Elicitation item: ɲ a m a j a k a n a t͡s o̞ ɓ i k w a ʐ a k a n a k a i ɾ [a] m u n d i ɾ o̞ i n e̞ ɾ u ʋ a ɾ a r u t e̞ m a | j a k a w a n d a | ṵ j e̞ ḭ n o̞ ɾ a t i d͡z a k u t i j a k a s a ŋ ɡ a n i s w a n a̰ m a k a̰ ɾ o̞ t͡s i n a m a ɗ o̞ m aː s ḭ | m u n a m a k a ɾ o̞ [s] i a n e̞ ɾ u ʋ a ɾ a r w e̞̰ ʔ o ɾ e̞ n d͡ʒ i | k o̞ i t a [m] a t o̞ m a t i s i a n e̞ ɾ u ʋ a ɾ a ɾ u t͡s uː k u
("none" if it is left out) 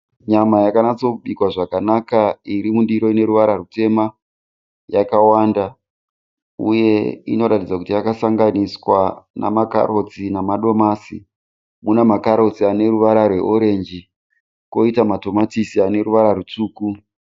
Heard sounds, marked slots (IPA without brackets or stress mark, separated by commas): i, t͡s, m